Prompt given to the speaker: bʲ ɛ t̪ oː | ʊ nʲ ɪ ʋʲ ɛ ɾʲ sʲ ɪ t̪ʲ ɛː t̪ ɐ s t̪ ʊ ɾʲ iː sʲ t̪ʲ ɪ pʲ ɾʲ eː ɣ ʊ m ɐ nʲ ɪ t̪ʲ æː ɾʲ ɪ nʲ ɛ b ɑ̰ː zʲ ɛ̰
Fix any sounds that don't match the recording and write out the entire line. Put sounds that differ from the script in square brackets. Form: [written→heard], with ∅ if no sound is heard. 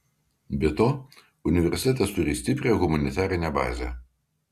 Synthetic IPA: bʲ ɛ t̪ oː | ʊ nʲ ɪ ʋʲ ɛ ɾʲ sʲ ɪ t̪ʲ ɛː t̪ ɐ s t̪ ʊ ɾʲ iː sʲ t̪ʲ ɪ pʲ ɾʲ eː ɣ ʊ m ɐ nʲ ɪ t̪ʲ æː ɾʲ ɪ nʲ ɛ b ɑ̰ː zʲ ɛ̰